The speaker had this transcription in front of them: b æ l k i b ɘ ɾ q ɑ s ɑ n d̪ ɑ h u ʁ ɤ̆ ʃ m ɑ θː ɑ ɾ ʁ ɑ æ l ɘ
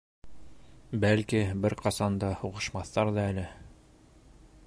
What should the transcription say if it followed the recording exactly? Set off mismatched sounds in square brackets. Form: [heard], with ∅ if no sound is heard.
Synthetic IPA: b æ l k i b ɘ ɾ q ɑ s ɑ n d̪ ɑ h u ʁ ɤ̆ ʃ m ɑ θː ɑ ɾ [ð] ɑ æ l ɘ

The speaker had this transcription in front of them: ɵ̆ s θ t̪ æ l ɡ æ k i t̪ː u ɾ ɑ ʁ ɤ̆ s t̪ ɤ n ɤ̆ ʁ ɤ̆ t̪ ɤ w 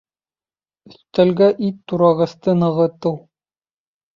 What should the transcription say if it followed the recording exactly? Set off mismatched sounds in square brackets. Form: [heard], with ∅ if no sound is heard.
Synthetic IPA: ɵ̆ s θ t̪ æ l ɡ æ [ʔ] i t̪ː u ɾ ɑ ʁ ɤ̆ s t̪ ɤ n ɤ̆ ʁ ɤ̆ t̪ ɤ w

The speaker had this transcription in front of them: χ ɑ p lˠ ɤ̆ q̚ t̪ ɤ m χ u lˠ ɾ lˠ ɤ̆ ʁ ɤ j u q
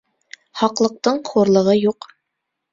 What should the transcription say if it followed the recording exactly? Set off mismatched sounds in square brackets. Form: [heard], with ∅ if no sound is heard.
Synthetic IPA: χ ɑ [q] lˠ ɤ̆ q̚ t̪ ɤ [ɴ] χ u [∅] ɾ lˠ ɤ̆ ʁ ɤ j u q

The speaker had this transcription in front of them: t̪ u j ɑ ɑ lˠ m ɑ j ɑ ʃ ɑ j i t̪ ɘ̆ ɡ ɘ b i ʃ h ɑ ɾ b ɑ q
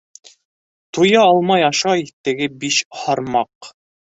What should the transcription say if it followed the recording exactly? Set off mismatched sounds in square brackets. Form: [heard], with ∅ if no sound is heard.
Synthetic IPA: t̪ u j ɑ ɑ lˠ m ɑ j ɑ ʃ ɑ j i t̪ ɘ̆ ɡ ɘ b i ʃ h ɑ ɾ [m] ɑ q

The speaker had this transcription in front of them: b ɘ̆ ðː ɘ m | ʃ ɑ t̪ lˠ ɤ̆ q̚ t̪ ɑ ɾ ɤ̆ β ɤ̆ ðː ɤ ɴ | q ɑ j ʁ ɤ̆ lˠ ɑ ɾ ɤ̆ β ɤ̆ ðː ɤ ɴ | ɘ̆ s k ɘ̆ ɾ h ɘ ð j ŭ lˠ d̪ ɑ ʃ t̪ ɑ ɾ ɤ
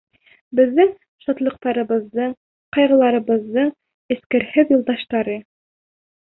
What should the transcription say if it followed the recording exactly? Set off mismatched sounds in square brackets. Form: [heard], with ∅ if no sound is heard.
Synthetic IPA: b ɘ̆ ðː ɘ [ŋ] | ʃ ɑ t̪ lˠ ɤ̆ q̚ t̪ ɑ ɾ ɤ̆ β ɤ̆ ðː ɤ ɴ | q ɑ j ʁ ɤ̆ lˠ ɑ ɾ ɤ̆ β ɤ̆ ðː ɤ ɴ | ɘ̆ s k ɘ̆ ɾ h ɘ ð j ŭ lˠ d̪ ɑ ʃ t̪ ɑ ɾ ɤ

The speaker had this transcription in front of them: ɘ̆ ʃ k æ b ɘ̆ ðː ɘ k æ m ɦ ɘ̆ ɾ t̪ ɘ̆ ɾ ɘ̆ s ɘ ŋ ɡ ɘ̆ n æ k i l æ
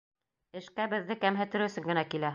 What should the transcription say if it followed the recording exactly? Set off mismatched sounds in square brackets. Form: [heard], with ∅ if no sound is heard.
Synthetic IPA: ɘ̆ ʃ k æ b ɘ̆ ðː ɘ k æ m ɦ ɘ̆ [∅] t̪ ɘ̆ ɾ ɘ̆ s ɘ ŋ ɡ ɘ̆ n æ k i l æ

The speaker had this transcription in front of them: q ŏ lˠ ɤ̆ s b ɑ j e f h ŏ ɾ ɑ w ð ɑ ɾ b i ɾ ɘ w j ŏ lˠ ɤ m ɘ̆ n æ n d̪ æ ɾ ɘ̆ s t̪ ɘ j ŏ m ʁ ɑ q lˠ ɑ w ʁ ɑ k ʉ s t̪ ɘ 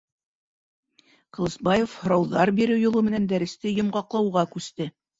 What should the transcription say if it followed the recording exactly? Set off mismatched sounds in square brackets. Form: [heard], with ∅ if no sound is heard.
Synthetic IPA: q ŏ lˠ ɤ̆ s b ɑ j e f h ŏ ɾ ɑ w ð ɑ ɾ b i ɾ ɘ w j ŏ lˠ ɤ m ɘ̆ n æ n d̪ æ ɾ ɘ̆ s t̪ ɘ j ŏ m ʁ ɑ q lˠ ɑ w ʁ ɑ k ʉ s t̪ ɘ

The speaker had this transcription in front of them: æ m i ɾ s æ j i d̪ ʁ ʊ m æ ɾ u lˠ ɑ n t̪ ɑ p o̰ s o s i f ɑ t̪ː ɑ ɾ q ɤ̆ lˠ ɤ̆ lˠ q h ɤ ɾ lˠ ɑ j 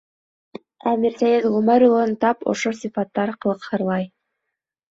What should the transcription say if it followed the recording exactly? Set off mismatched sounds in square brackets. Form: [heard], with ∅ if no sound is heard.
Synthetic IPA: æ m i ɾ s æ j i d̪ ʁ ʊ m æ ɾ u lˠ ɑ n t̪ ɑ p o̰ [ʃ] o s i f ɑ t̪ː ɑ ɾ q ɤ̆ lˠ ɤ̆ [∅] q h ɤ ɾ lˠ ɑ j

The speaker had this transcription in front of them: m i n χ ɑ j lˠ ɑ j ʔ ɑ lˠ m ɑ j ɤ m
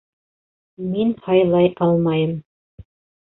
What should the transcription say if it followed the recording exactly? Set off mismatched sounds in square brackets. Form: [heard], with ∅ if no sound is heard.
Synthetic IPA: m i n [h] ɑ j lˠ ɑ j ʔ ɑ lˠ m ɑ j ɤ m

